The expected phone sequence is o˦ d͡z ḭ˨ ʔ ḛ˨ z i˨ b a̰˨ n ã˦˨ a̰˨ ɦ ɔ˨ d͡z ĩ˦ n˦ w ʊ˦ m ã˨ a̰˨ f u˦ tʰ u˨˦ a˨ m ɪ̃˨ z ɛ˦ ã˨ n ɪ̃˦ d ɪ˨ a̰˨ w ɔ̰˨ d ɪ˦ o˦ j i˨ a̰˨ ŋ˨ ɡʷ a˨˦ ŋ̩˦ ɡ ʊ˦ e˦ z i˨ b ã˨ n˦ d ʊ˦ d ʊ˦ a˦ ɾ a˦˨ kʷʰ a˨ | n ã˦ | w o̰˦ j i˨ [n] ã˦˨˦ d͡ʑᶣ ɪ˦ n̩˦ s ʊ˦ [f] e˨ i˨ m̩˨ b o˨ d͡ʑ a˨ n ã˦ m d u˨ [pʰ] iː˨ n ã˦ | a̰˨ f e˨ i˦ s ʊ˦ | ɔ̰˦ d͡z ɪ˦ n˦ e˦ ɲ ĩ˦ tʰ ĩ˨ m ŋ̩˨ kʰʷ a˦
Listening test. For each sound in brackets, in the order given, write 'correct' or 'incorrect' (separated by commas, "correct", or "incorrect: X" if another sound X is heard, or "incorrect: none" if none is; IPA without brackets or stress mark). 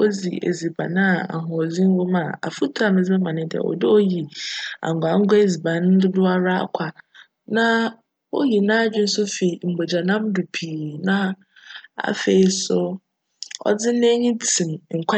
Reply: correct, correct, correct